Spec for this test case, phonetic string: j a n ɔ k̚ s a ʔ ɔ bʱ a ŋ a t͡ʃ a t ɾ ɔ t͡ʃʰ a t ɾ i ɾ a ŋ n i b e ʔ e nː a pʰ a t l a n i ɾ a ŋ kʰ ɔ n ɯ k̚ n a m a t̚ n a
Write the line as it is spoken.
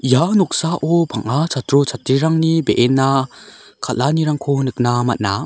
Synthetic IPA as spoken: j a n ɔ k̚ s a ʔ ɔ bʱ a ŋ a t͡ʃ a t ɾ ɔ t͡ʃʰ a t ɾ i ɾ a ŋ n i b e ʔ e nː a kʰ a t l a n i ɾ a ŋ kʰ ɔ n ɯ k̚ n a m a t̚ n a